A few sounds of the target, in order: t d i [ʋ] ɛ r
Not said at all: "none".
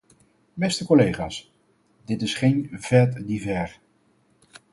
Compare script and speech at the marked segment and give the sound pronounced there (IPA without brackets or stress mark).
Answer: v